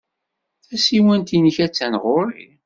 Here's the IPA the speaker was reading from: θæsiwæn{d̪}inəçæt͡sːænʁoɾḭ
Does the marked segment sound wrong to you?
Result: yes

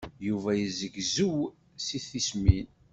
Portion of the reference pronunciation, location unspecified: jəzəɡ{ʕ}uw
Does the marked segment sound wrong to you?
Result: yes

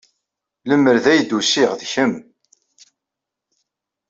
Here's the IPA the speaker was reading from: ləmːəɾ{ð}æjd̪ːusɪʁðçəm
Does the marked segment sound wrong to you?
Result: no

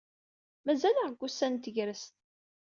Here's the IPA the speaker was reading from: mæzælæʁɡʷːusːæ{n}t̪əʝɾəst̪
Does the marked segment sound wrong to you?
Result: no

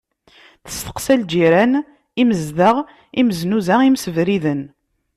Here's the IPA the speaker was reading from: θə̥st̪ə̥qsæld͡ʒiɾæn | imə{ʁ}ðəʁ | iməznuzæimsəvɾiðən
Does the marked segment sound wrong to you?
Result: yes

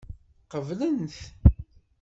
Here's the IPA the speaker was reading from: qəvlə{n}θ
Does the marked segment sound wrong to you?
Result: no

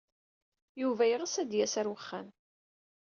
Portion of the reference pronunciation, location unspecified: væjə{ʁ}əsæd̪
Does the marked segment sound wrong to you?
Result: no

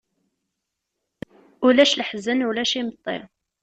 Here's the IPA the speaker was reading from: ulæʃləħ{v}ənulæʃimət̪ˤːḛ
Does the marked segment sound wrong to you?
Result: yes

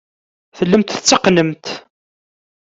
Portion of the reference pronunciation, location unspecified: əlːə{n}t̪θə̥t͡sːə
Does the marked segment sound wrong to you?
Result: yes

